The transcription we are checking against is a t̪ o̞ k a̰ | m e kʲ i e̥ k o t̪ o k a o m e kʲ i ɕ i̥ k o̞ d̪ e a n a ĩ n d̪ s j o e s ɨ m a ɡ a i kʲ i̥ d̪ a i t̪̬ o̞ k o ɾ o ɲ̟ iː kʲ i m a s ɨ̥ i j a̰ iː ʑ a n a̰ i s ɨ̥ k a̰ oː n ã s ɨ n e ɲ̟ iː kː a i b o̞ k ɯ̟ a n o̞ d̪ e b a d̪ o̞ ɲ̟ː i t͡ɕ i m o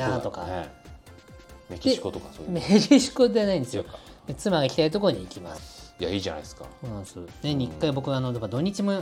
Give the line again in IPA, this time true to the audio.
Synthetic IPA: a t̪ o̞ k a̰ | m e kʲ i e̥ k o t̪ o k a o m e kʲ i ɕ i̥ k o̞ d̪ e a n a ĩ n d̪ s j o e t͡s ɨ m a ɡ a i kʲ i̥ t̪ a i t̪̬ o̞ k o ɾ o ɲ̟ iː kʲ i m a s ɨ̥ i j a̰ iː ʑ a n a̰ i s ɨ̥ k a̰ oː n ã s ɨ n e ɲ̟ i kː a i b o̞ k ɯ̟ a n o̞ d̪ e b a d̪ o̞ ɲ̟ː i t͡ɕ i m o